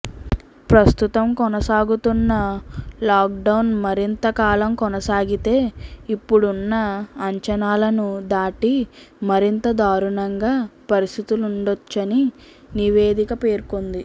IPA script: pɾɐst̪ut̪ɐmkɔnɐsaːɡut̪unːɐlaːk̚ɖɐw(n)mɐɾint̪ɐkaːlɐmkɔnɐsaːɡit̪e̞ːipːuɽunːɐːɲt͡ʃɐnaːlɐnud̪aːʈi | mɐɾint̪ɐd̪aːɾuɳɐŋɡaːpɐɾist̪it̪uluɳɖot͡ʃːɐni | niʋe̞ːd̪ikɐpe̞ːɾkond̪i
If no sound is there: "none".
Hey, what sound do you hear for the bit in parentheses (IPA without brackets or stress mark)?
n